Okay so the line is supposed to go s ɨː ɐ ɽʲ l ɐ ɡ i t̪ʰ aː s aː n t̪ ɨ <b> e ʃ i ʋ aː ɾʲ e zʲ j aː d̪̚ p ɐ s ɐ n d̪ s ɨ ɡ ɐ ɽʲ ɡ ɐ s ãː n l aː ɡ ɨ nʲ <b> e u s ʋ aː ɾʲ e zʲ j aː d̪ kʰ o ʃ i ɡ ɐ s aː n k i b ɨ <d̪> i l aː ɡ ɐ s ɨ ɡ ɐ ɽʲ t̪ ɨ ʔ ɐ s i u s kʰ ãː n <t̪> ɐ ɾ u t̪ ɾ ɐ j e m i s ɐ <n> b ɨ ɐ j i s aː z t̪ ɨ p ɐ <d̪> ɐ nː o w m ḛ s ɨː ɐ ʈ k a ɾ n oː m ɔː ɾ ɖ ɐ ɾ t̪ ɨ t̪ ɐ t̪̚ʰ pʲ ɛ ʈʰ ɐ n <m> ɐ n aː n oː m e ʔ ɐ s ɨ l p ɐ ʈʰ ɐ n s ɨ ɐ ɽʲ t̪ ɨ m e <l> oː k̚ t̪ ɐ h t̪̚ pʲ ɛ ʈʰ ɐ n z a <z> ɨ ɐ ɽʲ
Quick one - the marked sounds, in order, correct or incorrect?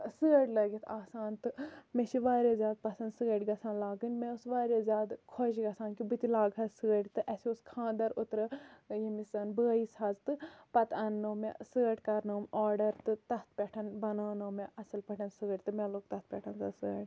incorrect, incorrect, incorrect, incorrect, correct, incorrect, incorrect, correct, incorrect

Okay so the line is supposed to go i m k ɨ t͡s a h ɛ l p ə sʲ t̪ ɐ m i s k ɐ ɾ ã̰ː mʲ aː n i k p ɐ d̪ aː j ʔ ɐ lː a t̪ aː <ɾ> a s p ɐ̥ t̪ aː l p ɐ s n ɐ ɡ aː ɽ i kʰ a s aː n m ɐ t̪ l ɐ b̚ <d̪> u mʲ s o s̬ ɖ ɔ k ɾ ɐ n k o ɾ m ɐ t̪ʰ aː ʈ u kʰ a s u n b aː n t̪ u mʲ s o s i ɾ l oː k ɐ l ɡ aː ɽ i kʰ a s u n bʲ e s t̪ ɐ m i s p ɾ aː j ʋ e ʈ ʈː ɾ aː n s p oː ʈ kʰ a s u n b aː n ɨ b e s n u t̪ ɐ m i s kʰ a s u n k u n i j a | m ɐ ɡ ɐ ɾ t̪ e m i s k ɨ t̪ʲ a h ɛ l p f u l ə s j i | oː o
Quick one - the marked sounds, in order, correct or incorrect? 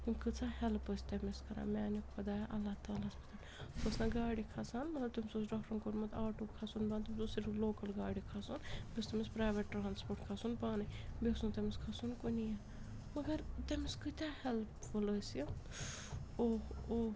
incorrect, incorrect

